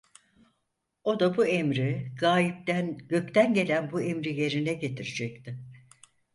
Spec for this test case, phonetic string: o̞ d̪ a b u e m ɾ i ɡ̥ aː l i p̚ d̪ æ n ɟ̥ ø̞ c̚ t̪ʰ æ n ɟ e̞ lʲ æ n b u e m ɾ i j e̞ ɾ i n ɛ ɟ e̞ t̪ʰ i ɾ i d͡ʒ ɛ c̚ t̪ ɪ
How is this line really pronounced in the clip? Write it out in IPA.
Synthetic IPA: o̞ d̪ a b u e m ɾ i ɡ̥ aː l i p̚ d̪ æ n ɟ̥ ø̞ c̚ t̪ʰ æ n ɟ e̞ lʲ æ n b u e m ɾ i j e̞ ɾ i n ɛ ɟ e̞ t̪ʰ i ɾ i d͡ʒ ɛ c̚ t̪ ɪ